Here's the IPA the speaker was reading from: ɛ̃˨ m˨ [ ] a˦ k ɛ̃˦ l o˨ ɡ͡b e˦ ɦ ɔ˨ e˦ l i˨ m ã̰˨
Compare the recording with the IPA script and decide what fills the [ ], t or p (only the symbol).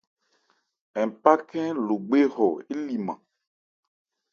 p